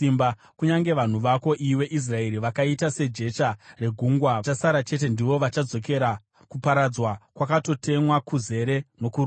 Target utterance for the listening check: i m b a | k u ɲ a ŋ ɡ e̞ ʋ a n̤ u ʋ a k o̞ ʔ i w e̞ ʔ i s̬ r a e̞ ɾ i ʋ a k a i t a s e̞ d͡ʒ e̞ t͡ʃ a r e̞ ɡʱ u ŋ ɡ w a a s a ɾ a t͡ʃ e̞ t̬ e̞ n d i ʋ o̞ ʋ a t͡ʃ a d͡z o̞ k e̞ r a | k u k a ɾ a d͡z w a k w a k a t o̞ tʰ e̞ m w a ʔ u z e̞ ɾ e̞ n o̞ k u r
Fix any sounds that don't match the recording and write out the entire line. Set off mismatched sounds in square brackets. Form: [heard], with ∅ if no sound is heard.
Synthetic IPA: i m b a | k u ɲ a ŋ ɡ e̞ ʋ a n̤ u ʋ a k o̞ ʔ i w e̞ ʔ i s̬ r a e̞ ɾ i ʋ a k a i t a s e̞ d͡ʒ e̞ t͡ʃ a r e̞ ɡʱ u ŋ ɡ w a a s a ɾ a t͡ʃ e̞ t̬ e̞ n d i ʋ o̞ ʋ a t͡ʃ a d͡z o̞ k e̞ [ɾ] a | k u [p] a ɾ a d͡z w a k w a k a t o̞ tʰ e̞ m w a [k] u z e̞ ɾ e̞ n o̞ k u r